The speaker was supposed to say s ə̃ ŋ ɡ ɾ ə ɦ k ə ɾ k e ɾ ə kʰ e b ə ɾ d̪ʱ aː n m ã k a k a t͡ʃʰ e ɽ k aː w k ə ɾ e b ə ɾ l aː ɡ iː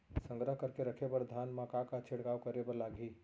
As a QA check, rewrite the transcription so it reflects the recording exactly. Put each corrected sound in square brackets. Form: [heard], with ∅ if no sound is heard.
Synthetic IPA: s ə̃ ŋ ɡ ɾ ə ɦ k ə ɾ k e ɾ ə kʰ e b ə ɾ d̪ʱ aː n m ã k a k a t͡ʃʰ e ɽ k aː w k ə ɾ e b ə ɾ l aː ɡ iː